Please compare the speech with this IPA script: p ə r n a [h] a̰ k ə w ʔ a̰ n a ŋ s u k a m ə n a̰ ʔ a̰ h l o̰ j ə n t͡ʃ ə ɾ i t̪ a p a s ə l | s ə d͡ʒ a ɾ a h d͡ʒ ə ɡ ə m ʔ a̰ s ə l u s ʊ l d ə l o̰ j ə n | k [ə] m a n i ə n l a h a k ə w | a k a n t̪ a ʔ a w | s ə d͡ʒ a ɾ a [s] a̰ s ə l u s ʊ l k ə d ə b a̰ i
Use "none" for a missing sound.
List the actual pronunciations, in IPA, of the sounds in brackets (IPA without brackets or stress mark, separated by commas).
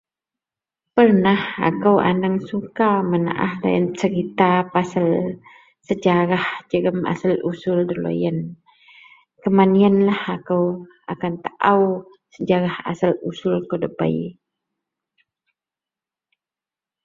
h, ə, h